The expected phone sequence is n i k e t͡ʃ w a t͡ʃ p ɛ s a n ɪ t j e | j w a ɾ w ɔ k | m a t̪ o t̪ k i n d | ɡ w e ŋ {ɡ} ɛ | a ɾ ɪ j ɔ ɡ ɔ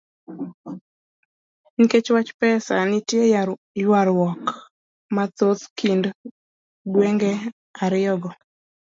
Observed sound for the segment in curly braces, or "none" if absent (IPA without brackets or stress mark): ɡ